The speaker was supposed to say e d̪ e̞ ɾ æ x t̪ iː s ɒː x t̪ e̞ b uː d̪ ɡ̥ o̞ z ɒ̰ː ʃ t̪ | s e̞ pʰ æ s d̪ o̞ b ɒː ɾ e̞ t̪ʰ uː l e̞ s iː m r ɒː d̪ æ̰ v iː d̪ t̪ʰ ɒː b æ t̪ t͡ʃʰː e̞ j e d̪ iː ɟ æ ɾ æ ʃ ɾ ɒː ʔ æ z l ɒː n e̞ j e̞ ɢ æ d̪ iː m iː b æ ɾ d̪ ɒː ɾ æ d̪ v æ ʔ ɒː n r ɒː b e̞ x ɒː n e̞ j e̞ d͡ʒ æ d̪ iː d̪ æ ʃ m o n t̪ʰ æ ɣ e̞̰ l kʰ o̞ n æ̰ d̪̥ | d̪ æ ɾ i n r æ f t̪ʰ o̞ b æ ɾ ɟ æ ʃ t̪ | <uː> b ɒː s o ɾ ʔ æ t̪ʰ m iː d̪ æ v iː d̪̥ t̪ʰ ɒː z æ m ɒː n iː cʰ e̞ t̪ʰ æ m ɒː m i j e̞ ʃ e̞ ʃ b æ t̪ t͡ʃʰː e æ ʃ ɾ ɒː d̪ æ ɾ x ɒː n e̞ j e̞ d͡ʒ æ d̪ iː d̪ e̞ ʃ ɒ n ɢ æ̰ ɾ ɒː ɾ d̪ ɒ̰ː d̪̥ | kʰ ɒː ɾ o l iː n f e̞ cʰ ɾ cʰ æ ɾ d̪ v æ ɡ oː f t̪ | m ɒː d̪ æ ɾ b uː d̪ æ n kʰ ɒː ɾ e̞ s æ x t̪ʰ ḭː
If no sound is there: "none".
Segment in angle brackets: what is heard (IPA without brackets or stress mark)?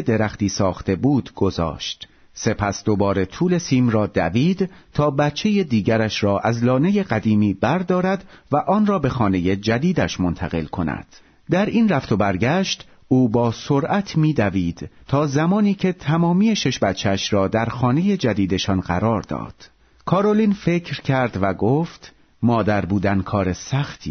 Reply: uː